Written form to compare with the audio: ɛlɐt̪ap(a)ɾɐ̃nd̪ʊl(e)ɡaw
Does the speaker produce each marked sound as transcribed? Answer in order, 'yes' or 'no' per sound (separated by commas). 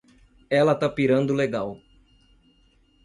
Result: no, yes